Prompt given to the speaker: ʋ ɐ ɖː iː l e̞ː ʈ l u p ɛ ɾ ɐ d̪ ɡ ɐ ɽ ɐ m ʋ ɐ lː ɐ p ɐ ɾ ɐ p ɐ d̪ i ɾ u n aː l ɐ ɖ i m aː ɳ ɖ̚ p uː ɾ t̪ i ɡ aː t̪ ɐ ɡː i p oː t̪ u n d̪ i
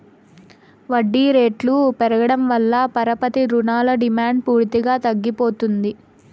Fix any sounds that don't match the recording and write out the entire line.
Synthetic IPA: ʋ ɐ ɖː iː ɾ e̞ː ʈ l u p ɛ ɾ ɐ ɡ ɐ ɽ ɐ m ʋ ɐ lː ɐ p ɐ ɾ ɐ p ɐ t̪ i ɾ u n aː l ɐ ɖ i m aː ɳ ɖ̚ p uː ɾ t̪ i ɡ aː t̪ ɐ ɡː i p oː t̪ u n d̪ i